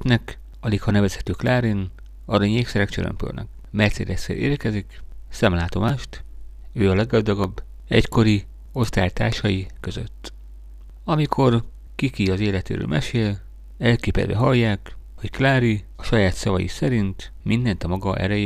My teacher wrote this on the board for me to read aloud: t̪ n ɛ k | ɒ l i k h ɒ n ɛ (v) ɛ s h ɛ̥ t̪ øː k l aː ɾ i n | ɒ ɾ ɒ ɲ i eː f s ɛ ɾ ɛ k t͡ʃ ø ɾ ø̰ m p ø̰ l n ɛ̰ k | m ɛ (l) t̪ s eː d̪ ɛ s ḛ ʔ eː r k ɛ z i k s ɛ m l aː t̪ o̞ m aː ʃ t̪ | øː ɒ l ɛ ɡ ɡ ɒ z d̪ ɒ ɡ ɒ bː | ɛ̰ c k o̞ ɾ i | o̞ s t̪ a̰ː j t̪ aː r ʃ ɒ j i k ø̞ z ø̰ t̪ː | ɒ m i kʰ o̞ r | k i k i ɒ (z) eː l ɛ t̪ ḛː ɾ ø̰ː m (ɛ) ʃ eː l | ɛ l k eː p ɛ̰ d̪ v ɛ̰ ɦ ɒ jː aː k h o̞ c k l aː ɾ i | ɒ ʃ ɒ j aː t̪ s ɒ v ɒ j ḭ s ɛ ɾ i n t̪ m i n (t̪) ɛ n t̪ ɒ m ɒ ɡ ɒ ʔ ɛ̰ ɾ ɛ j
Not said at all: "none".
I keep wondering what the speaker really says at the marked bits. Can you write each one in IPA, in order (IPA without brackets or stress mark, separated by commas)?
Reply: v, r, z, ɛ, d̪